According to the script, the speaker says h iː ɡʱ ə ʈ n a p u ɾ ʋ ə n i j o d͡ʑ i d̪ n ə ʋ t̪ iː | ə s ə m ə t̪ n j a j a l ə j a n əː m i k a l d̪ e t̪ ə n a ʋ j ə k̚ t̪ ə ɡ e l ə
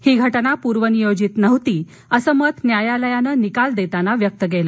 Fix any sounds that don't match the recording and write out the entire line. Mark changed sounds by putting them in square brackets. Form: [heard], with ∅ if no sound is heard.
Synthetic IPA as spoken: h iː ɡʱ ə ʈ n a p u ɾ ʋ ə n i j o d͡ʑ i [t̪] n ə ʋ t̪ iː | ə s ə m ə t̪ n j a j a l ə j a n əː [n] i k a l d̪ e t̪ [a] n a ʋ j ə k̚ t̪ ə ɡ e l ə